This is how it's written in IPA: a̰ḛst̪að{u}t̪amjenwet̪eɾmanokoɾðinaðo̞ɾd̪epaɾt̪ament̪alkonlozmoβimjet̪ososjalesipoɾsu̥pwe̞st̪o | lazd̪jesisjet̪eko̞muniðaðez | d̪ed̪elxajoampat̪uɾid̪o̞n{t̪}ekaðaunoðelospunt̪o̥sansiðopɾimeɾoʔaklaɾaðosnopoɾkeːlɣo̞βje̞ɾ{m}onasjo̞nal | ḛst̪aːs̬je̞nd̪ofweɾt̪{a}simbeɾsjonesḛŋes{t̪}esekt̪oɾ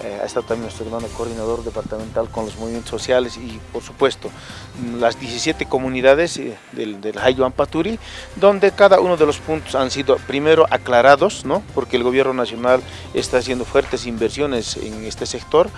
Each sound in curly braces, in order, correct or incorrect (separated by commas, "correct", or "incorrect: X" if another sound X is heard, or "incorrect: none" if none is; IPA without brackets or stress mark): incorrect: o, incorrect: d̪, incorrect: n, incorrect: e, correct